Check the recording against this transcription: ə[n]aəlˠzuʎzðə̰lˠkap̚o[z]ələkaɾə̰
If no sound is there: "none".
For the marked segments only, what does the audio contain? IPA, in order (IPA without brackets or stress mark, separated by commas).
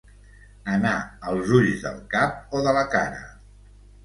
n, ð